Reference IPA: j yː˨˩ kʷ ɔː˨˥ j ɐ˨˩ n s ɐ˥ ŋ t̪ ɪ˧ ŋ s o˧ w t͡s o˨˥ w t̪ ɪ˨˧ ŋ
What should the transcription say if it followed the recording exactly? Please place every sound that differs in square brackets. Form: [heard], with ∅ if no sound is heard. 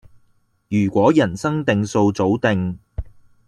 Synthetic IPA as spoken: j yː˨˩ kʷ ɔː˨˥ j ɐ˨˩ n s ɐ˥ ŋ t̪ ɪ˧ ŋ s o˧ w t͡s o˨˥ w t̪ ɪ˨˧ ŋ